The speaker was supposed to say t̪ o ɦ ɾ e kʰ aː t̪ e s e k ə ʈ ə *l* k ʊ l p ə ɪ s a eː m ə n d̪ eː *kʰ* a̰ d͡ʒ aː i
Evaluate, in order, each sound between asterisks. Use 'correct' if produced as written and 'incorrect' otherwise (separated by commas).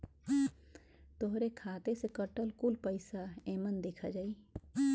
correct, correct